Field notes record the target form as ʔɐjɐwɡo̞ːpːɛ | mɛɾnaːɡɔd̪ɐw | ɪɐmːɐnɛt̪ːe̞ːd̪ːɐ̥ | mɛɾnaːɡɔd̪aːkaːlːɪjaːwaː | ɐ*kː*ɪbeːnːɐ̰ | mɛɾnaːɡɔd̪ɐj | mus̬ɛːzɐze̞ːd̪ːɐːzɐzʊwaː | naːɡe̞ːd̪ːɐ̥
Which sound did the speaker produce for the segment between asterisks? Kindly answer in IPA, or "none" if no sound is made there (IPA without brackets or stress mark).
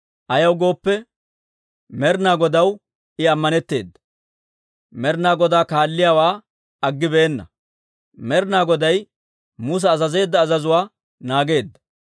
ɡː